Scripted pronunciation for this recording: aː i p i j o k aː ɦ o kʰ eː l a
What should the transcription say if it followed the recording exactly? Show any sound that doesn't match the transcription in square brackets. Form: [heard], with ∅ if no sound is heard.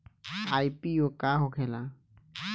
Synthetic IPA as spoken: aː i p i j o k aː ɦ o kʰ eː l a